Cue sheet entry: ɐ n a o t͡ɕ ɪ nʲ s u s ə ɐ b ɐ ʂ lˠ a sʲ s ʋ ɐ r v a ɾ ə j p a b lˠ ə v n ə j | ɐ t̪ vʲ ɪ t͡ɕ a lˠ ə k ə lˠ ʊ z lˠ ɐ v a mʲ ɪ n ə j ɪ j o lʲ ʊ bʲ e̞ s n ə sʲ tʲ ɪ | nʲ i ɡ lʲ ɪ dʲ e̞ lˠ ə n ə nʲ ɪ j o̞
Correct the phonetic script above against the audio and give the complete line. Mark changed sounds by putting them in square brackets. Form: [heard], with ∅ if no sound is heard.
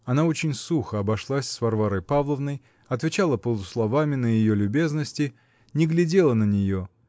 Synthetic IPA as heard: ɐ n a o t͡ɕ ɪ nʲ s u [x] ə ɐ b ɐ ʂ lˠ a sʲ s [v] ɐ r v a ɾ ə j p a [v] lˠ ə v n ə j | ɐ t̪ vʲ ɪ t͡ɕ a lˠ ə [p] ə lˠ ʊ [s] lˠ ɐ v a mʲ ɪ n ə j ɪ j o lʲ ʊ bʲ e̞ [z] n ə sʲ tʲ ɪ | nʲ [ɪ] ɡ lʲ ɪ dʲ e̞ lˠ ə n ə nʲ ɪ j o̞